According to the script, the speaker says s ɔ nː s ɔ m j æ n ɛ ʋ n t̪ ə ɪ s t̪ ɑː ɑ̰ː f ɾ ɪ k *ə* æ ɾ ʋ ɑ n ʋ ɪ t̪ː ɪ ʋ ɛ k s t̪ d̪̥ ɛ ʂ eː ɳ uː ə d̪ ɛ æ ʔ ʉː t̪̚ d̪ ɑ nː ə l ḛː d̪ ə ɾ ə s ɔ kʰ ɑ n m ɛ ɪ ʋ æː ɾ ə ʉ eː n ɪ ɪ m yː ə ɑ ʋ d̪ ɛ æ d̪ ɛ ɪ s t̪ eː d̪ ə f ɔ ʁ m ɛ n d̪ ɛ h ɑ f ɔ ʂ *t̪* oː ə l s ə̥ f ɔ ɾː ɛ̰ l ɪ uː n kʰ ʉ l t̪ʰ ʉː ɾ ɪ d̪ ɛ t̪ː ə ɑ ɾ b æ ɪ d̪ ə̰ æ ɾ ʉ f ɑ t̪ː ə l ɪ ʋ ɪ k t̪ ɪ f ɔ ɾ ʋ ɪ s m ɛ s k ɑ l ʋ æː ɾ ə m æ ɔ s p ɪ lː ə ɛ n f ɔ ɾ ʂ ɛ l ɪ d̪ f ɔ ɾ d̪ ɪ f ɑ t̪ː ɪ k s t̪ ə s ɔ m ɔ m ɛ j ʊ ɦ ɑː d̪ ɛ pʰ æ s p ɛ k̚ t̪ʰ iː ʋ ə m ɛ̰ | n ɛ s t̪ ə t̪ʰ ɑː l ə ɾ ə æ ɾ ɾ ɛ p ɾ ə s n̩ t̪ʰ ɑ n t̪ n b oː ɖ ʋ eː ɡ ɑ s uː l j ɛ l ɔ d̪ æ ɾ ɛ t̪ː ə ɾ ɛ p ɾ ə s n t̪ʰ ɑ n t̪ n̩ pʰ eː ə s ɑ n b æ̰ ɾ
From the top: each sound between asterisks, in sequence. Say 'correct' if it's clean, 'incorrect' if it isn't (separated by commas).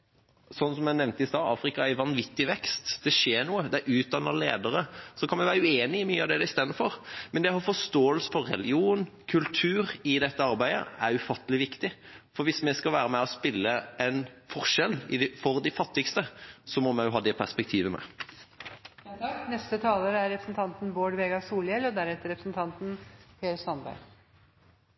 incorrect, correct